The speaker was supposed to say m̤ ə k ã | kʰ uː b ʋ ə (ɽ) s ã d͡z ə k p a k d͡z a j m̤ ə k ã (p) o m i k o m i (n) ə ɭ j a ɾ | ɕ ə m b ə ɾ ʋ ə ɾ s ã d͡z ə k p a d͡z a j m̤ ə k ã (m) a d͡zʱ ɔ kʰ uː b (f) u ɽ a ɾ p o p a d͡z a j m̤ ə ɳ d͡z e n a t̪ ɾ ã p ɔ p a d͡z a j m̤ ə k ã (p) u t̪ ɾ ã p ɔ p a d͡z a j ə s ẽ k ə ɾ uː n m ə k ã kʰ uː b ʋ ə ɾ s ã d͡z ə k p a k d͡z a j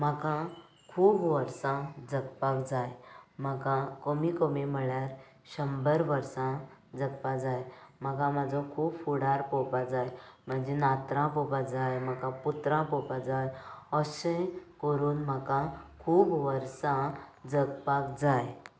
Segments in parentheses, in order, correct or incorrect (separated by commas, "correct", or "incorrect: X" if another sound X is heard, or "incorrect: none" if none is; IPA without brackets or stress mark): incorrect: ɾ, incorrect: k, incorrect: m, correct, correct, correct